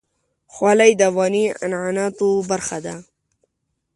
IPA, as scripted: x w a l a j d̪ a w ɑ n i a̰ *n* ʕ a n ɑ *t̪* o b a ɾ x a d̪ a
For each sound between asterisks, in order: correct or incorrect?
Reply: correct, correct

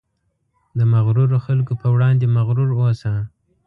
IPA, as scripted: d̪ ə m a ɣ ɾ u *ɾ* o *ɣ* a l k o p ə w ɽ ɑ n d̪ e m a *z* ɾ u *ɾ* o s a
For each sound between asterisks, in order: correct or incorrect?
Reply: correct, incorrect, incorrect, correct

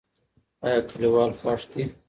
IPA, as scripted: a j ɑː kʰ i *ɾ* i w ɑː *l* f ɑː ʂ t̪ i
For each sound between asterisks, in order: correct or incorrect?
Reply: incorrect, correct

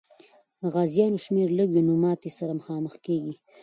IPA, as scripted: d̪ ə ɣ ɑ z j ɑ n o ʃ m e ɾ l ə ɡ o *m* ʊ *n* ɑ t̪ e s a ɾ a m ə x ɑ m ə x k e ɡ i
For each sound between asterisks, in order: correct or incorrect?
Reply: incorrect, incorrect

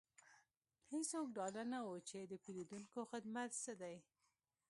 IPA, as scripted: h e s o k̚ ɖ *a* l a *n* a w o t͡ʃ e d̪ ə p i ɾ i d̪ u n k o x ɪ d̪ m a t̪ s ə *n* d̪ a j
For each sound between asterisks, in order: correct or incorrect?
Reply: incorrect, correct, incorrect

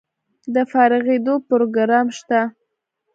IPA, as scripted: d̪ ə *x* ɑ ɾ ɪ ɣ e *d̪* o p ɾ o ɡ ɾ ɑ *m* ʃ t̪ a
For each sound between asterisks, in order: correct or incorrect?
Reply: incorrect, correct, correct

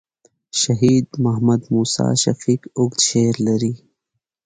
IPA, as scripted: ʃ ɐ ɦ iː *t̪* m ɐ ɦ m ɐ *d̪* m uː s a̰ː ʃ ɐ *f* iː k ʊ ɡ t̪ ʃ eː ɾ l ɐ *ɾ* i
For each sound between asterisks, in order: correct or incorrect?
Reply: incorrect, correct, correct, correct

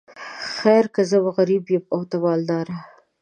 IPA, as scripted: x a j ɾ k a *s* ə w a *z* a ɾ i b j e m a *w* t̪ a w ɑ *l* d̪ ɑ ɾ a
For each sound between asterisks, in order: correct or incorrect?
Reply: incorrect, incorrect, correct, correct

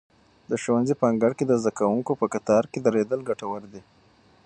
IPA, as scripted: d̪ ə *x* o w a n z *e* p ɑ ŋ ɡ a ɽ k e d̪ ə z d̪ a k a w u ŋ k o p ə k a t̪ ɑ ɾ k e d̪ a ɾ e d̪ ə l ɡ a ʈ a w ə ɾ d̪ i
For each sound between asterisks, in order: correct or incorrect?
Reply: incorrect, incorrect

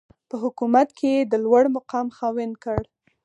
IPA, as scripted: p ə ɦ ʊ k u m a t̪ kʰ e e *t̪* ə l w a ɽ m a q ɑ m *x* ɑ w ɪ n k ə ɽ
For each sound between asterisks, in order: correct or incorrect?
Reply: incorrect, correct

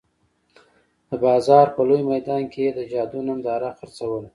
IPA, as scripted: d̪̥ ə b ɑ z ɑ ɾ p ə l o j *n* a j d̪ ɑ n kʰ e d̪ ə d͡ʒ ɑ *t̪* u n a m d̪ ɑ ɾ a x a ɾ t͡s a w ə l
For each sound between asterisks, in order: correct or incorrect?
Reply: incorrect, incorrect

